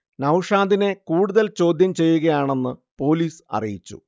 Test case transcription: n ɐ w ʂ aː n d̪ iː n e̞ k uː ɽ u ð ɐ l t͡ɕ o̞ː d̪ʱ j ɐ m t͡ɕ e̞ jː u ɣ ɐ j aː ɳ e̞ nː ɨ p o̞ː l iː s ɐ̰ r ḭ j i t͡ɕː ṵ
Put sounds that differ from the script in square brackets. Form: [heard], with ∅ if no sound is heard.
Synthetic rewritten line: n ɐ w ʂ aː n d̪ [i] n e̞ k uː ɽ u ð ɐ l t͡ɕ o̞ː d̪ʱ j ɐ m t͡ɕ e̞ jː u ɣ ɐ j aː ɳ e̞ nː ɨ p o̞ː l iː s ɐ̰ r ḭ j i t͡ɕː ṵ

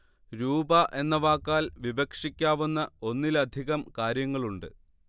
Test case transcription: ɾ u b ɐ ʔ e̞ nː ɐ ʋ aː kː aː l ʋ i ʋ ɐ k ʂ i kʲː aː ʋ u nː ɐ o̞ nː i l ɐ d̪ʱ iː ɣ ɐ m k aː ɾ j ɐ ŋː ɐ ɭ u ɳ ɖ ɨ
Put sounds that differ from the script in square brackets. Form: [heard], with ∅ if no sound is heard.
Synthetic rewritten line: ɾ [uː] b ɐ ʔ e̞ nː ɐ ʋ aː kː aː l ʋ i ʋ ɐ k ʂ i kʲː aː ʋ u nː ɐ o̞ nː i l ɐ d̪ʱ [i] ɣ ɐ m k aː ɾ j ɐ ŋː ɐ ɭ u ɳ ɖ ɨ

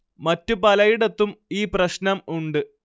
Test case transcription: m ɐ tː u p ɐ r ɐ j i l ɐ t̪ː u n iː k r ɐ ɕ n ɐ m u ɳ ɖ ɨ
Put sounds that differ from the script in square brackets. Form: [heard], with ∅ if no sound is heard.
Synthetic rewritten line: m ɐ tː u p ɐ [l] ɐ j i [ɽ] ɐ t̪ː u [m] iː [p] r ɐ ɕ n ɐ m u ɳ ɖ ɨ

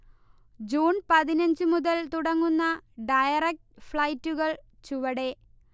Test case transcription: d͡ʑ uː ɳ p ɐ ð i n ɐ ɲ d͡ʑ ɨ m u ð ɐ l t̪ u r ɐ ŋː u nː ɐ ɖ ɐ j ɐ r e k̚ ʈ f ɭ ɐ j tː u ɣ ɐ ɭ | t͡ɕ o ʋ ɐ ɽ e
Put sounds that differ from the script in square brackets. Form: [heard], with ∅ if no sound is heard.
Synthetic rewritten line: d͡ʑ uː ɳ p ɐ ð i n ɐ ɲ d͡ʑ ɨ m u ð ɐ l t̪ u [ɽ] ɐ ŋː u nː ɐ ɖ ɐ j ɐ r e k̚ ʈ f ɭ ɐ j tː u ɣ ɐ ɭ | t͡ɕ [u] ʋ ɐ ɽ e

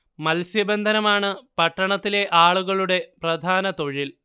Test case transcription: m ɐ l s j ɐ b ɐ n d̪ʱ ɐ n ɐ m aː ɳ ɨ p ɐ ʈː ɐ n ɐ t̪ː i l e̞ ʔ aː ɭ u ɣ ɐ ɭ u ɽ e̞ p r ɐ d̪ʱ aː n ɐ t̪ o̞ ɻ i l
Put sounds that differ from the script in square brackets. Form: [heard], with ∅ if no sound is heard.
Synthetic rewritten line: m ɐ l s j ɐ b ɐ n d̪ʱ ɐ n ɐ m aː ɳ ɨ p ɐ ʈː ɐ [ɳ] ɐ t̪ː i l e̞ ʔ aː ɭ u ɣ ɐ ɭ u ɽ e̞ p r ɐ d̪ʱ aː n ɐ t̪ o̞ ɻ i l

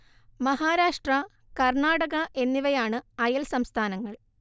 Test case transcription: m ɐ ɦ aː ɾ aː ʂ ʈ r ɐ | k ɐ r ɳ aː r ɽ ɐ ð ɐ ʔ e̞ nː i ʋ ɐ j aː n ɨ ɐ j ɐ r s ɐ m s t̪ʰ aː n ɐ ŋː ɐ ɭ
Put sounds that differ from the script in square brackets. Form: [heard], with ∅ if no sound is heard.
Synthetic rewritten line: m ɐ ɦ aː ɾ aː ʂ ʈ r ɐ | k ɐ r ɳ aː [∅] ɽ ɐ [ɣ] ɐ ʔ e̞ nː i ʋ ɐ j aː [ɳ] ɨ ɐ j ɐ [l] s ɐ m s t̪ʰ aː n ɐ ŋː ɐ ɭ

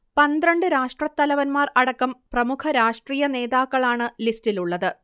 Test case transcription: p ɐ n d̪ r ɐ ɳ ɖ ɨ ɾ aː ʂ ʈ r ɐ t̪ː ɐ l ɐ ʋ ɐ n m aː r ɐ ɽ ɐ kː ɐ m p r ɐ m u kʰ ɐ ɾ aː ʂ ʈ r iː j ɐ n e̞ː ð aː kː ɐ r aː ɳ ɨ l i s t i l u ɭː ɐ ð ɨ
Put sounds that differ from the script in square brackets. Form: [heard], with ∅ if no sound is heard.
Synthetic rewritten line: p ɐ n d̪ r ɐ ɳ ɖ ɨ ɾ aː ʂ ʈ r ɐ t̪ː ɐ l ɐ ʋ ɐ n m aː r ɐ ɽ ɐ kː ɐ m p r ɐ m u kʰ ɐ ɾ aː ʂ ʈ r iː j ɐ n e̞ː ð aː kː ɐ [ɭ] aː ɳ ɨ l i s t i l u ɭː ɐ ð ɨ

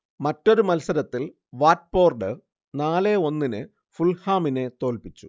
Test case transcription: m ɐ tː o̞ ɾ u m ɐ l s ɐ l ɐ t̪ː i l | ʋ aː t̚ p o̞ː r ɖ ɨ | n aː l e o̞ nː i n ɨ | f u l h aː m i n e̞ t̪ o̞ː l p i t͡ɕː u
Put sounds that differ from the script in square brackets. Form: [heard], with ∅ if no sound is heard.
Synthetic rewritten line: m ɐ tː o̞ ɾ u m ɐ l s ɐ [ɾ] ɐ t̪ː i l | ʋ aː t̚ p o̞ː r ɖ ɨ | n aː l e o̞ nː i n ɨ | f u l h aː m i n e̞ t̪ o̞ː l p i t͡ɕː u

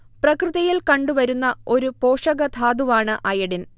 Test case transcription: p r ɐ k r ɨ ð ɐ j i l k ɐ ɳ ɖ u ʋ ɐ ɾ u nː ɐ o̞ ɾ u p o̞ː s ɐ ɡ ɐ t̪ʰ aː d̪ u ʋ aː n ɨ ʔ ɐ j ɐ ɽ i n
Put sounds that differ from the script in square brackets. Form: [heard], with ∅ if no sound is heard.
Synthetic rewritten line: p r ɐ k r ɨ ð ɐ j i l k ɐ ɳ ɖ u ʋ ɐ ɾ u nː ɐ o̞ ɾ u p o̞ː [ʂ] ɐ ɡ ɐ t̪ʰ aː d̪ u ʋ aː [ɳ] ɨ ʔ ɐ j ɐ ɽ i n

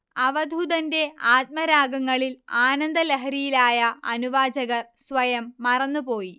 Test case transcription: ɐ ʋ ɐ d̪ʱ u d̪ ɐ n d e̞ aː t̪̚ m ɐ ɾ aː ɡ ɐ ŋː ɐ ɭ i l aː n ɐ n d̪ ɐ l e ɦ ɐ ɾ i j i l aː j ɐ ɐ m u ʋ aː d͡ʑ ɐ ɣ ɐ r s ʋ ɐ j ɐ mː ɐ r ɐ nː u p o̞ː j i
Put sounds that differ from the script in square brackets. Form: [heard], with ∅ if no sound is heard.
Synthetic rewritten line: ɐ ʋ ɐ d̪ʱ u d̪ ɐ n d e̞ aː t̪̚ m ɐ ɾ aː ɡ ɐ ŋː ɐ ɭ i l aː n ɐ n d̪ ɐ l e ɦ ɐ ɾ i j i l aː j ɐ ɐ [n] u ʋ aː d͡ʑ ɐ ɣ ɐ r s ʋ ɐ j ɐ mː ɐ r ɐ nː u p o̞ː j i

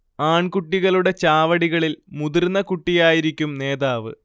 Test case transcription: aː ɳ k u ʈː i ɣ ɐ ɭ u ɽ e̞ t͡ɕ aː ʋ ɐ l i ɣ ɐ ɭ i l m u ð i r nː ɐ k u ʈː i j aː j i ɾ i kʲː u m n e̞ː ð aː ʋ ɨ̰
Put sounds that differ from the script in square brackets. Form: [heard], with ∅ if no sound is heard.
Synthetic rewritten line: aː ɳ k u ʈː i ɣ ɐ ɭ u ɽ e̞ t͡ɕ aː ʋ ɐ [ɽ] i ɣ ɐ ɭ i l m u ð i r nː ɐ k u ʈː i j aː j i ɾ i kʲː u m n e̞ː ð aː ʋ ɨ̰

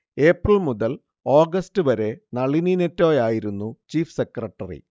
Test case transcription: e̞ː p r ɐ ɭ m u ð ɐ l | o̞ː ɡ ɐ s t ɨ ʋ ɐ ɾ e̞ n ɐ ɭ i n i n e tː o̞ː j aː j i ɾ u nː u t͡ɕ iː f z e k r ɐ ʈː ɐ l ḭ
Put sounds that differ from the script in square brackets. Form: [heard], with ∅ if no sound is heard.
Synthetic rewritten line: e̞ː p r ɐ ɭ m u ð ɐ l | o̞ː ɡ ɐ s t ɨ ʋ ɐ ɾ e̞ n ɐ ɭ i n i n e tː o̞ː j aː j i ɾ u nː u t͡ɕ iː f [s] e k r ɐ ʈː ɐ [r] ḭ

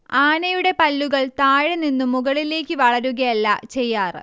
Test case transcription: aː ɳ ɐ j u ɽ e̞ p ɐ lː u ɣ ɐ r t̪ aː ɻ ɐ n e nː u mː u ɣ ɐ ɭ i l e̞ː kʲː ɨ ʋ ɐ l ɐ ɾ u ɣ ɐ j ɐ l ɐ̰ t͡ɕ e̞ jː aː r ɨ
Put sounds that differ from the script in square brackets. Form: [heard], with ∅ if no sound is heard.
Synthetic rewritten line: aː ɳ ɐ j u ɽ e̞ p ɐ lː u ɣ ɐ [ɭ] t̪ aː ɻ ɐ n [i] nː u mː u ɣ ɐ ɭ i l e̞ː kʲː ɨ ʋ ɐ [ɭ] ɐ ɾ u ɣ ɐ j ɐ [lː] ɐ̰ t͡ɕ e̞ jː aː r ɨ

